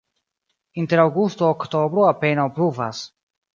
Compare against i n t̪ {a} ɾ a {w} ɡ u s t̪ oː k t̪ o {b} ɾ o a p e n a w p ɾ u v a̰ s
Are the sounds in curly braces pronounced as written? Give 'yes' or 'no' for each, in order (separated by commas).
no, yes, yes